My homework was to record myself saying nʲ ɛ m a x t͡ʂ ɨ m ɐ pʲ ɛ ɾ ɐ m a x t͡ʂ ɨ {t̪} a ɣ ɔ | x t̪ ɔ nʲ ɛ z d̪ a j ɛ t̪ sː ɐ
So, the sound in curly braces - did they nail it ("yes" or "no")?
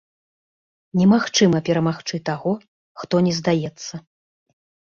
yes